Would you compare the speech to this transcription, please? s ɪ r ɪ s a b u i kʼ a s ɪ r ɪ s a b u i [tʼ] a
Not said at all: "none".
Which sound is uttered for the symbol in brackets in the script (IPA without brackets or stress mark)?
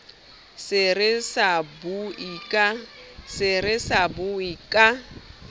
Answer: kʼ